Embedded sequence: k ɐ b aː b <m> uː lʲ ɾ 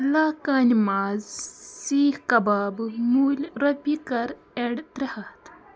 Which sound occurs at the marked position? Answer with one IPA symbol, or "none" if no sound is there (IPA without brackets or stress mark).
m